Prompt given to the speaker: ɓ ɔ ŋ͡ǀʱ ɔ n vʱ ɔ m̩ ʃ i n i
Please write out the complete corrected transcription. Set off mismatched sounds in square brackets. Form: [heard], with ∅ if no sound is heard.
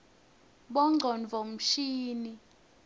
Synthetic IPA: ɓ ɔ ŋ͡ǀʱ ɔ n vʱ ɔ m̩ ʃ [iː] n i